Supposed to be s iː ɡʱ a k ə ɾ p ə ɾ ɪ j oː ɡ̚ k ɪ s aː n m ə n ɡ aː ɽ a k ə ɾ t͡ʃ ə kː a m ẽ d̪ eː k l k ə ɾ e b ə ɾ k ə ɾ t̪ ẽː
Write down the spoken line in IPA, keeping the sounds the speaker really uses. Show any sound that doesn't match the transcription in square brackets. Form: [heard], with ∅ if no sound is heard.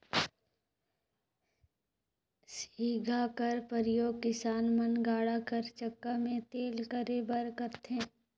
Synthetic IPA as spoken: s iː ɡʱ a k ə ɾ p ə ɾ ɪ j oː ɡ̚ k ɪ s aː n m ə n ɡ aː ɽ a k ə ɾ t͡ʃ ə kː a m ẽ [t̪] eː [∅] l k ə ɾ e b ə ɾ k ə ɾ t̪ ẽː